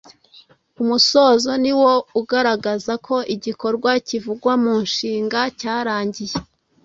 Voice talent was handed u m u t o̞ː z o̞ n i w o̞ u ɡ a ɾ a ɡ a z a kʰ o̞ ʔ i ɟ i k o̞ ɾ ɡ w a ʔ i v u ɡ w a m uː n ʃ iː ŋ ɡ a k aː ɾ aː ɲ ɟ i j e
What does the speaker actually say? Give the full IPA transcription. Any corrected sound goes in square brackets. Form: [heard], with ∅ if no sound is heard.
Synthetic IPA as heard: u m u [s] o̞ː z o̞ n i w o̞ u ɡ a ɾ a ɡ a z a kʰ o̞ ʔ i ɟ i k o̞ ɾ ɡ w a [c] i v u ɡ w a m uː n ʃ iː ŋ ɡ a [c] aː ɾ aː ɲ ɟ i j e